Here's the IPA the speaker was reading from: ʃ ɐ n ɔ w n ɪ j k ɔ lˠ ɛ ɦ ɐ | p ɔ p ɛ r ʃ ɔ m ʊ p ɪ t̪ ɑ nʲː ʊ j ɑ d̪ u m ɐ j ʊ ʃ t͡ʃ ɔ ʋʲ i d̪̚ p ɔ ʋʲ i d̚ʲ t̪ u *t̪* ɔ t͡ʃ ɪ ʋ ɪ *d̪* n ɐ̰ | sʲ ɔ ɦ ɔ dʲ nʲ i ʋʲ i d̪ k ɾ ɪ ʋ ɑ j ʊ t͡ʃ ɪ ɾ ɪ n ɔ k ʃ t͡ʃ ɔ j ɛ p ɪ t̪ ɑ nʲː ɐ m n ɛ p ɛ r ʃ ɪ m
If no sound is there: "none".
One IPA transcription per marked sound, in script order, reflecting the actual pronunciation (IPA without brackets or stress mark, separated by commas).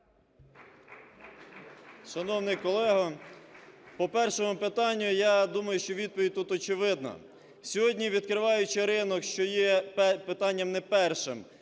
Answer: t̪, d̪